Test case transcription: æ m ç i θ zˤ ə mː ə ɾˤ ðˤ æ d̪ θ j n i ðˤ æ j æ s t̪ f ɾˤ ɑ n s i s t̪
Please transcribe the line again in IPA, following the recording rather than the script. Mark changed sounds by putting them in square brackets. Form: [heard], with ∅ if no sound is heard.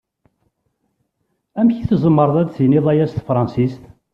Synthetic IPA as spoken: æ m ç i θ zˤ ə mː ə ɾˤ ðˤ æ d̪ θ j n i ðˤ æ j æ s t̪ f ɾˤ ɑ n s i s t̪